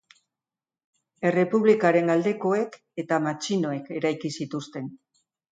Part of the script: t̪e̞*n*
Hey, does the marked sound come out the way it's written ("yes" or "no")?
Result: yes